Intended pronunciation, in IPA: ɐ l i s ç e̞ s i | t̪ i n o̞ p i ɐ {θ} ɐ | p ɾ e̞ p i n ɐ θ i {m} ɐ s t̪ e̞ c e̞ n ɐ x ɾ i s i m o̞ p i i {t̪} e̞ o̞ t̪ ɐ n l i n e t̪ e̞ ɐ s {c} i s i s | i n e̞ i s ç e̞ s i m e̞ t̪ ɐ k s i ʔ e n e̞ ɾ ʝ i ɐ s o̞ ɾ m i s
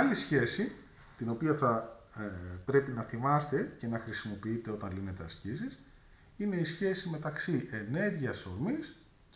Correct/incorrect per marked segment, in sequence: correct, correct, correct, correct

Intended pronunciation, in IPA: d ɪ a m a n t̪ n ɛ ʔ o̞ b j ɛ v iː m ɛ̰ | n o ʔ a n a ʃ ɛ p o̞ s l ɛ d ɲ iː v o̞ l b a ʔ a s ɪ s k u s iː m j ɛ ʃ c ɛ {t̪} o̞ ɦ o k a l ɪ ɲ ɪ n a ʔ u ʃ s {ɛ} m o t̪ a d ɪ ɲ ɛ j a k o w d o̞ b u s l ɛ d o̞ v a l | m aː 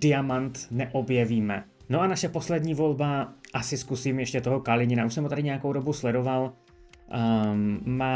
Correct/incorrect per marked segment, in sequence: correct, correct

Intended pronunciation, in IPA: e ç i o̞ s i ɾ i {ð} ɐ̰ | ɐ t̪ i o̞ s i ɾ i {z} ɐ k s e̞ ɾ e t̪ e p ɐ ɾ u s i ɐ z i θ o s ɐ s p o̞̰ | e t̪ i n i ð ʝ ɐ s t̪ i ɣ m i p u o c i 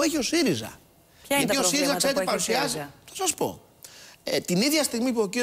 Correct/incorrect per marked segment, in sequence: incorrect: z, correct

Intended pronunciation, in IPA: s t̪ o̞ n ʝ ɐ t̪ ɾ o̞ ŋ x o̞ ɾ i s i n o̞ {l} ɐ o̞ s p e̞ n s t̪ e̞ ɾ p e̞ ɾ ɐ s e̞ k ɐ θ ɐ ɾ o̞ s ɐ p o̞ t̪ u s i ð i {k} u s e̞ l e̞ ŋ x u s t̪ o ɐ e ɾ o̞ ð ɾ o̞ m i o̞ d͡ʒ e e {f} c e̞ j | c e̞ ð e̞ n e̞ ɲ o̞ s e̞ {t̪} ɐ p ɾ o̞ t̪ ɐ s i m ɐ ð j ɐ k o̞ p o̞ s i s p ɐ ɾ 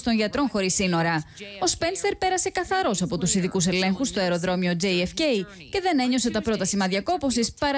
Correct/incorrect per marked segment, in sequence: incorrect: ɾ, correct, correct, correct

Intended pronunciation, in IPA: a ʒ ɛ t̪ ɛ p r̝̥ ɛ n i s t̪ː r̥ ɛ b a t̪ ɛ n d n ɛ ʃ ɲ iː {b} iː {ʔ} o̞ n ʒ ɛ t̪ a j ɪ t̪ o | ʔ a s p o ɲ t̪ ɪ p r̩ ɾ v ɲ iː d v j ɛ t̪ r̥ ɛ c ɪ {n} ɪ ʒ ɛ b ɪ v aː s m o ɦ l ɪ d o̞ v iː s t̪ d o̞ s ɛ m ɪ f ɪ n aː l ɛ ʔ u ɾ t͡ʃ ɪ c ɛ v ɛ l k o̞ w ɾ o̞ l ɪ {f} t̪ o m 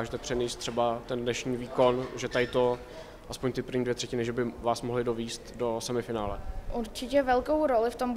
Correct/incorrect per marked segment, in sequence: incorrect: v, incorrect: k, correct, correct

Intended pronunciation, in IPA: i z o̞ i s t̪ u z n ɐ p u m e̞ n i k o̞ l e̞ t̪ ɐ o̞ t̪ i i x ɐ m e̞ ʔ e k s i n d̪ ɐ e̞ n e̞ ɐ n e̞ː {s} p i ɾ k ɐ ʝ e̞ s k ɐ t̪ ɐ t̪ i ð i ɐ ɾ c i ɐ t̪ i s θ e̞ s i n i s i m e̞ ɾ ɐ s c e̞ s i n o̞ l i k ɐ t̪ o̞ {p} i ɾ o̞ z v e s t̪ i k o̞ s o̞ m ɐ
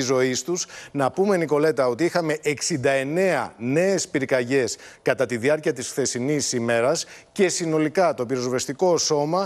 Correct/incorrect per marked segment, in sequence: correct, correct

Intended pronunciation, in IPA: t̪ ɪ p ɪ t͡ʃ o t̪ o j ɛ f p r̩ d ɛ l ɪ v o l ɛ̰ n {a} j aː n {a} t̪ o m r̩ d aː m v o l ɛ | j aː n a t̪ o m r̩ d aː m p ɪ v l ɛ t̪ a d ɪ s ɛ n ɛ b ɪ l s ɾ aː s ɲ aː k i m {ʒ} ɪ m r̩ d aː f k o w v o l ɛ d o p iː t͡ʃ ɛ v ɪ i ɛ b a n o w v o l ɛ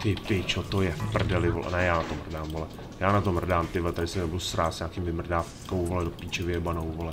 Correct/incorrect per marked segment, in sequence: incorrect: ɛ, correct, incorrect: v

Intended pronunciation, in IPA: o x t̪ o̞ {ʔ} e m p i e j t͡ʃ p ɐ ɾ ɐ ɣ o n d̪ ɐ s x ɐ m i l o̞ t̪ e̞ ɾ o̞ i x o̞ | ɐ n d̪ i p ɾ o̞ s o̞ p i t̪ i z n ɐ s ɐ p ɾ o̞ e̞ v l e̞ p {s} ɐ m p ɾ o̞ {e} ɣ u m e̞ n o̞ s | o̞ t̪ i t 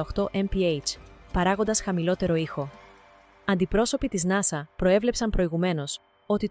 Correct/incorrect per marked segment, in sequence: correct, correct, incorrect: i

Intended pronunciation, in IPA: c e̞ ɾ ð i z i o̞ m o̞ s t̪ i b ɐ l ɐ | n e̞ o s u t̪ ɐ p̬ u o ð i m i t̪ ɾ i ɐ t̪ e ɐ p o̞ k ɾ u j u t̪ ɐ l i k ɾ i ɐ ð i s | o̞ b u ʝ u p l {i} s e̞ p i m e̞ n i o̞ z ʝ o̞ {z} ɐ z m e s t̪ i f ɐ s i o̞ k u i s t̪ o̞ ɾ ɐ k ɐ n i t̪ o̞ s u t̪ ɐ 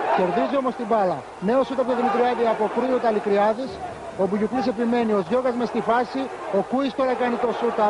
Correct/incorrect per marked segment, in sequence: correct, incorrect: ɣ

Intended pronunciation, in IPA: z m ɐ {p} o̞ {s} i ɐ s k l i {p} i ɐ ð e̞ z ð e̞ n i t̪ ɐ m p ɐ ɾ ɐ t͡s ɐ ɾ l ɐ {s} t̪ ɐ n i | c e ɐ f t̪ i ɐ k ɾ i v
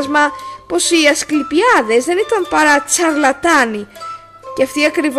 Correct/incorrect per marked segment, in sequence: correct, correct, correct, incorrect: none

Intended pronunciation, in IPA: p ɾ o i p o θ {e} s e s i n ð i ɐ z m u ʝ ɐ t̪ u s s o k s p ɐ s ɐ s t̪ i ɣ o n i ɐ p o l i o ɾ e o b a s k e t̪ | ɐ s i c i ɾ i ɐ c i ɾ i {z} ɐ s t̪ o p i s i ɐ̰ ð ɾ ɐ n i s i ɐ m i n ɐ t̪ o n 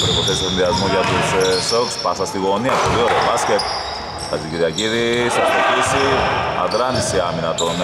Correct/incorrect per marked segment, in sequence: correct, incorrect: s

